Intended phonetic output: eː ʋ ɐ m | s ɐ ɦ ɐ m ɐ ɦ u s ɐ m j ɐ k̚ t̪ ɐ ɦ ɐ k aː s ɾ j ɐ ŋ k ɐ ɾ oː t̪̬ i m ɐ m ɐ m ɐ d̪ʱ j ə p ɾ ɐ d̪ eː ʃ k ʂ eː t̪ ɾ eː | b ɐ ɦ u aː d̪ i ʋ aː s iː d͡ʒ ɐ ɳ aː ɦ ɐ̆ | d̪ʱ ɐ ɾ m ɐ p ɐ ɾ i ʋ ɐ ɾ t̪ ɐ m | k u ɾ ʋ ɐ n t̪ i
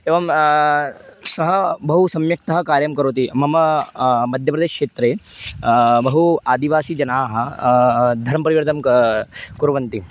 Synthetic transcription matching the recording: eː ʋ ɐ m | s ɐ ɦ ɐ b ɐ ɦ u s ɐ m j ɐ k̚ t̪ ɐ ɦ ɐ k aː ɾ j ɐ m k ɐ ɾ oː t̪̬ i m ɐ m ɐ m ɐ d̪ʱ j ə p ɾ ɐ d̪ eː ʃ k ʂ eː t̪ ɾ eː | b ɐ ɦ u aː d̪ i ʋ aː s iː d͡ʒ ɐ n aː ɦ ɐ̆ | d̪ʱ ɐ ɾ m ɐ p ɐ ɾ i ʋ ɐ ɾ t̪ ɐ m | k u ɾ ʋ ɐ n t̪ i

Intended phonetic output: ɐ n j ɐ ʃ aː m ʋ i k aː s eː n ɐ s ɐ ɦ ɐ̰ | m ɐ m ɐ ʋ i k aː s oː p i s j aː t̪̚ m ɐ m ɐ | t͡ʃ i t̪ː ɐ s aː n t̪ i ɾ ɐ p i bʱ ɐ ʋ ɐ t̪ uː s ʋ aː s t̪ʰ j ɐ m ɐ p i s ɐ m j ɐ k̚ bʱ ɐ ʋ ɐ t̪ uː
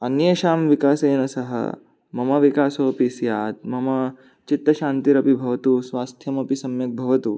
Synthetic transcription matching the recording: ɐ n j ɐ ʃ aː m ʋ i k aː s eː n ɐ s ɐ ɦ ɐ̰ | m ɐ m ɐ ʋ i k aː s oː p i s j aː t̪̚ m ɐ m ɐ | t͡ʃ i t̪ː ɐ ʃ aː n t̪ i ɾ ɐ p i bʱ ɐ ʋ ɐ t̪ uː s ʋ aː s t̪ʰ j ɐ m ɐ p i s ɐ m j ɐ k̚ bʱ ɐ ʋ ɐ t̪ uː

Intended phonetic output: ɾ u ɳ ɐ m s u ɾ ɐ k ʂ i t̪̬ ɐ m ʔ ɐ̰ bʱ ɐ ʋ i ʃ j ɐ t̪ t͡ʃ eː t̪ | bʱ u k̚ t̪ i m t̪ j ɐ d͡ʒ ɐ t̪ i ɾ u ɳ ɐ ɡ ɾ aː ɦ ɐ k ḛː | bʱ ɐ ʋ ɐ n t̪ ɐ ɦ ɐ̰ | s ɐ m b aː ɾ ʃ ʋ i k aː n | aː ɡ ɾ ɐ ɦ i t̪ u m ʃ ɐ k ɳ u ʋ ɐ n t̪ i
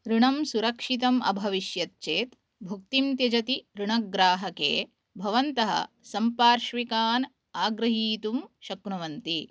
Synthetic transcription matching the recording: ɾ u ɳ ɐ m s u ɾ ɐ k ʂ i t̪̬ ɐ m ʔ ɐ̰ bʱ ɐ ʋ i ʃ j ɐ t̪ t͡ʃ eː t̪ | bʱ u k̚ t̪ i m t̪ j ɐ d͡ʒ ɐ t̪ i ɾ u ɳ ɐ ɡ ɾ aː ɦ ɐ k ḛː | bʱ ɐ ʋ ɐ n t̪ ɐ ɦ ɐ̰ | s ɐ m p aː ɾ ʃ ʋ i k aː n | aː ɡ ɾ ɐ ɦ iː t̪ u m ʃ ɐ k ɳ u ʋ ɐ n t̪ i

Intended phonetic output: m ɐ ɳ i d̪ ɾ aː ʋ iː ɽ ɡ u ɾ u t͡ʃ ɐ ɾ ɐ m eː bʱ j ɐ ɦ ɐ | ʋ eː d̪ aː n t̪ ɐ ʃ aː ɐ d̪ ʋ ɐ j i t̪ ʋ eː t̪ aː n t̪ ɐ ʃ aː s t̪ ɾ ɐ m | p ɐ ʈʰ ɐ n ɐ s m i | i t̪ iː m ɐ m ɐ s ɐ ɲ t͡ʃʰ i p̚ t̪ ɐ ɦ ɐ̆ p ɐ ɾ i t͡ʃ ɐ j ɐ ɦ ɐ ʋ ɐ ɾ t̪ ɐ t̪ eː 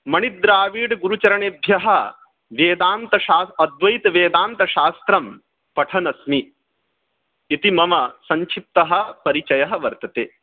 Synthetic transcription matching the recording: m ɐ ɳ i d̪ ɾ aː ʋ iː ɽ ɡ u ɾ u t͡ʃ ɐ ɾ ɐ ɳ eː bʱ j ɐ ɦ ɐ | ʋ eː d̪ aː n t̪ ɐ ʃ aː ɐ d̪ ʋ ɐ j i t̪ ʋ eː d̪ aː n t̪ ɐ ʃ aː s t̪ ɾ ɐ m | p ɐ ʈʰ ɐ n ɐ s m i | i t̪ i m ɐ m ɐ s ɐ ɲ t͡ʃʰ i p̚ t̪ ɐ ɦ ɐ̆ p ɐ ɾ i t͡ʃ ɐ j ɐ ɦ ɐ ʋ ɐ ɾ t̪ ɐ t̪ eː

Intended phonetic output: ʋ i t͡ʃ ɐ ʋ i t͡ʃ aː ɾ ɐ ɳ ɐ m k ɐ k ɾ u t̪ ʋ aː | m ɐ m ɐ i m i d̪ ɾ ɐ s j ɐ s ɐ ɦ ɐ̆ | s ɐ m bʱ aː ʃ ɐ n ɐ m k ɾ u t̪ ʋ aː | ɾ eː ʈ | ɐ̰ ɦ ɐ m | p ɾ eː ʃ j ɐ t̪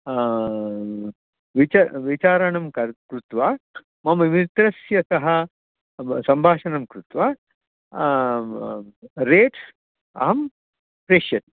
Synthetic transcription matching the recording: ʋ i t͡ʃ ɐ ʋ i t͡ʃ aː ɾ ɐ ɳ ɐ m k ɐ k ɾ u t̪ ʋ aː | m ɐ m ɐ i m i t̪ ɾ ɐ s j ɐ s ɐ ɦ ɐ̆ | s ɐ m bʱ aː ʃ ɐ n ɐ m k ɾ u t̪ ʋ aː | ɾ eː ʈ | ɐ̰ ɦ ɐ m | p ɾ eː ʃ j ɐ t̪

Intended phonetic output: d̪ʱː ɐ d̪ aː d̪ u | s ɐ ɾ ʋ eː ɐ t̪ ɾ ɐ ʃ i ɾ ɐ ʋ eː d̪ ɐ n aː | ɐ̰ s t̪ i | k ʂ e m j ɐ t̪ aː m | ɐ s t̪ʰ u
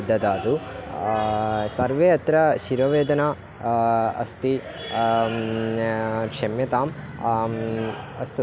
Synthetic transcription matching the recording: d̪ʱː ɐ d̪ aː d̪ u | s ɐ ɾ ʋ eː ɐ t̪ ɾ ɐ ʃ i ɾ ɐ ʋ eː d̪ ɐ n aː | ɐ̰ s t̪ i | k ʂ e m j ɐ t̪ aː m | ɐ s t̪ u

